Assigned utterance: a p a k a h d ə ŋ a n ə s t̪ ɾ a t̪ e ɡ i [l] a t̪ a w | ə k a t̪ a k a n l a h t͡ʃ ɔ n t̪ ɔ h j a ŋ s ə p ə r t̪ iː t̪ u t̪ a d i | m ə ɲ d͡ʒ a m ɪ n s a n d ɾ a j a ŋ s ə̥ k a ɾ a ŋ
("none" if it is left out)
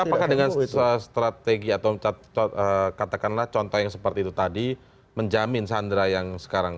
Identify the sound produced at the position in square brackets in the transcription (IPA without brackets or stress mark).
none